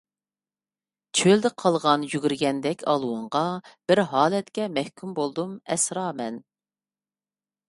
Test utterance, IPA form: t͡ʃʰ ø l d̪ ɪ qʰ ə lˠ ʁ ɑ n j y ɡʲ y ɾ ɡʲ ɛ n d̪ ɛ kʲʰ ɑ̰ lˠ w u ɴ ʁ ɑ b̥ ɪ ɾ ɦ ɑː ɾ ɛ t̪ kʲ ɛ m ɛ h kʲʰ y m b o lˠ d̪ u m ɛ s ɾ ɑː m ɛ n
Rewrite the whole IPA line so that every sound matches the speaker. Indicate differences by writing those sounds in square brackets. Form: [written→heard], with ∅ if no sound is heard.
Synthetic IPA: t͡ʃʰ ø l d̪ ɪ qʰ [ə→ɑ] lˠ ʁ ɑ n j y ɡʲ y ɾ ɡʲ ɛ n d̪ ɛ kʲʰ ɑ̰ lˠ w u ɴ ʁ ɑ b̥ ɪ ɾ ɦ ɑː [ɾ→l] ɛ t̪ kʲ ɛ m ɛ h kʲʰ y m b o lˠ d̪ u m ɛ s ɾ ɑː m ɛ n